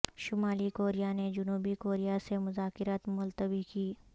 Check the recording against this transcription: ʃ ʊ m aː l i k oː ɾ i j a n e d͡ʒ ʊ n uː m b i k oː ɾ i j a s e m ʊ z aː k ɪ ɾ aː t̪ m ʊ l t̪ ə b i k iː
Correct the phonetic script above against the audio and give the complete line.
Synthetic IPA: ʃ ʊ m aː l i k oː ɾ i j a n e d͡ʒ ʊ n uː b i k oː ɾ i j a s e m ʊ z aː k ɪ ɾ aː t̪ m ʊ l t̪ ə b i k iː

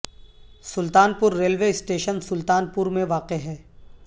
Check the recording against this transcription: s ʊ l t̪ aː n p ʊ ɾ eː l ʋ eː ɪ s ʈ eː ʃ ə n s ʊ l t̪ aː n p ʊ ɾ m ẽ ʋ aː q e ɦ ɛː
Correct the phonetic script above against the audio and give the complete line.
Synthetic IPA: s ʊ l t̪ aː n p ʊ ɾː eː l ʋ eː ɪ s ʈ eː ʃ ə n s ʊ l t̪ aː n p ʊ ɾ m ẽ ʋ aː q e ɦ ɛː

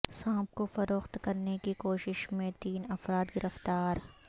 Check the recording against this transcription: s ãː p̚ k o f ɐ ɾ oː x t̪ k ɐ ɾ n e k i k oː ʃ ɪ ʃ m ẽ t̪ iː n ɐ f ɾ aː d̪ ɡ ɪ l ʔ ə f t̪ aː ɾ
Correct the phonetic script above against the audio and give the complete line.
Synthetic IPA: s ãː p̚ k o f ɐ ɾ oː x t̪ k ɐ ɾ n e k i k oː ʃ ɪ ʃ m ẽ t̪ iː n ɐ f ɾ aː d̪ ɡ ɪ ɾ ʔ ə f t̪ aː ɾ

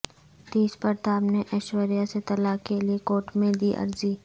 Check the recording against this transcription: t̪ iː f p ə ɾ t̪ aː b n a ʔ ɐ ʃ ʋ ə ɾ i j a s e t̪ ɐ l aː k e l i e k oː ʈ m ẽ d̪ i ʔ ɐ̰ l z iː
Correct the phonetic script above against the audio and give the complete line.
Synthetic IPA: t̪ iː s p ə ɾ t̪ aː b n e ʔ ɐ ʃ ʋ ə ɾ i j a s e t̪ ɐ l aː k e l i e k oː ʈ m ẽ d̪ i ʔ ɐ̰ ɾ z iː

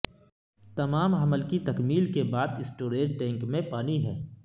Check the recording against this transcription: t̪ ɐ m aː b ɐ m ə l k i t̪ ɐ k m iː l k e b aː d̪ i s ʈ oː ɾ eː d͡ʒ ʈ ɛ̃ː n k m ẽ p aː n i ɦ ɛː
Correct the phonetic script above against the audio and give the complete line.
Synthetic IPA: t̪ ɐ m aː m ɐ m ə l k i t̪ ɐ k m iː l k e b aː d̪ ɪ s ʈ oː ɾ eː d͡ʒ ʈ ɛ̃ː ŋ k m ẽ p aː n i ɦ ɛː

